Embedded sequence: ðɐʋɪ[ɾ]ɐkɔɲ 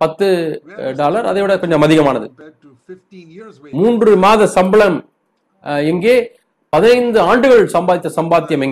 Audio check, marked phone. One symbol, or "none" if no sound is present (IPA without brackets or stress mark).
ɽ